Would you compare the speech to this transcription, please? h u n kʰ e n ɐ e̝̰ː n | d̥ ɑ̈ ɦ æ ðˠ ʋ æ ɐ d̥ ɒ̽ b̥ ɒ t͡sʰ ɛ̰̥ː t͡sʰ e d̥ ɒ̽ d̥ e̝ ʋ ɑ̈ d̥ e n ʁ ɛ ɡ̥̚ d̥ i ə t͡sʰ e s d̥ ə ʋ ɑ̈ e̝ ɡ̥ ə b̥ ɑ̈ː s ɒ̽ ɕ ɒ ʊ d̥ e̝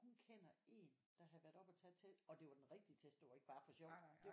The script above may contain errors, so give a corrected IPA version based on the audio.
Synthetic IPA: h u n kʰ e n ɐ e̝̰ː n | d̥ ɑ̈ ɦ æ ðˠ ʋ æ ɐ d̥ ɒ̽ b̥ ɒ t͡sʰ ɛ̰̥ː t͡sʰ e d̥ ɒ̽ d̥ e̝ ʋ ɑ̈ d̥ e n ʁ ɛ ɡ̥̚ d̥ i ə t͡sʰ e s d̥ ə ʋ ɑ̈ e̝ ɡ̥ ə b̥ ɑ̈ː f ɒ̽ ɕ ɒ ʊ d̥ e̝

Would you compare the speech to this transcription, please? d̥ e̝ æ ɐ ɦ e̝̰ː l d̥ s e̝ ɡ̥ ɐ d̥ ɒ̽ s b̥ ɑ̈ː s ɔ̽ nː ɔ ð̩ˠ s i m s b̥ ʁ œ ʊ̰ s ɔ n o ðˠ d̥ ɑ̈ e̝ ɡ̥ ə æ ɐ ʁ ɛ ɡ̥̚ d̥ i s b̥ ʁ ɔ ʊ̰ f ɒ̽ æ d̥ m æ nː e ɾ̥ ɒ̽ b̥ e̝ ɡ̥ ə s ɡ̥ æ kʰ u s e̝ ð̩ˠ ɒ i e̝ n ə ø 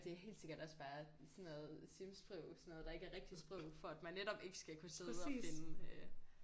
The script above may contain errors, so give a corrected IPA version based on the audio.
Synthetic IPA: d̥ e̝ æ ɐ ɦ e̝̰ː l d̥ s e̝ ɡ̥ ɐ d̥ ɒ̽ s b̥ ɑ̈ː s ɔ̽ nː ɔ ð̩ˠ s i m s b̥ ʁ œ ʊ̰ s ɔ n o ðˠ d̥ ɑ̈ e̝ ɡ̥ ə æ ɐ ʁ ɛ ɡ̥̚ d̥ i s b̥ ʁ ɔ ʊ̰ f ɒ̽ æ d̥ m æ nː e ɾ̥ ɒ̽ b̥ e̝ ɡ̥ ə s ɡ̥ æ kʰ u s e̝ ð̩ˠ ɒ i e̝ n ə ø

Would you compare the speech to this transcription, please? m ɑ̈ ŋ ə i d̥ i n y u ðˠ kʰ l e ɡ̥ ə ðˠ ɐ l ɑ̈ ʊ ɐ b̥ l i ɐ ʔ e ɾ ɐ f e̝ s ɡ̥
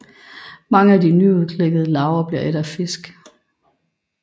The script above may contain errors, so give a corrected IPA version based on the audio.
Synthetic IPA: m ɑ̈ ŋ ə æ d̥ i n y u ðˠ kʰ l e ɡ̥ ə ðˠ ə l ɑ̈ ʊ ɐ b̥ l i ɐ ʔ e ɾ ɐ f e̝ s ɡ̥

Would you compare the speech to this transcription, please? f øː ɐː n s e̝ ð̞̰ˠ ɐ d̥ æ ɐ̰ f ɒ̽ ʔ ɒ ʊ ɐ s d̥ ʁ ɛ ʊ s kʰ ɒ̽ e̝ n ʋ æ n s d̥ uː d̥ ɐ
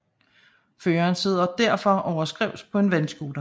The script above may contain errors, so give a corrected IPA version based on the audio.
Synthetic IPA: f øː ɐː n s e̝ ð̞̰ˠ ɐ d̥ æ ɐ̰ f ɒ̽ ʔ ɒ ʊ ɐ s ɡ̥ ʁ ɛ ʊ s pʰ ɒ̽ e̝ n ʋ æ n s ɡ̥ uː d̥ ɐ

